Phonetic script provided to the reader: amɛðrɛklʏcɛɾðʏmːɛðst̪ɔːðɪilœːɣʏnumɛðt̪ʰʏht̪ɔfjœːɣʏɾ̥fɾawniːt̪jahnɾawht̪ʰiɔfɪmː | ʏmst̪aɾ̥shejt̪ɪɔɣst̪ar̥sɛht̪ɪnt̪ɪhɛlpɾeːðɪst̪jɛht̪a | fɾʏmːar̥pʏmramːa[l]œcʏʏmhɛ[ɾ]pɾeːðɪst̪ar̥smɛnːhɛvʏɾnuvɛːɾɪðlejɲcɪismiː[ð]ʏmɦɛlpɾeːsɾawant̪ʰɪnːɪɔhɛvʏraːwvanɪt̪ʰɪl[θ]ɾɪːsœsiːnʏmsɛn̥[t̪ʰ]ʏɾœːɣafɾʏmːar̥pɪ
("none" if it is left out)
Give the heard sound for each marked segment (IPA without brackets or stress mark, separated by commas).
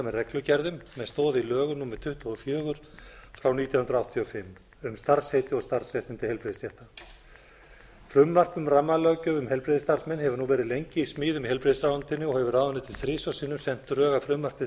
l, l, ð, θ, t̪